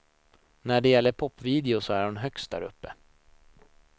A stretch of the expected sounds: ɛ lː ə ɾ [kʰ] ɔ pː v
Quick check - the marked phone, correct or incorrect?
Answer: incorrect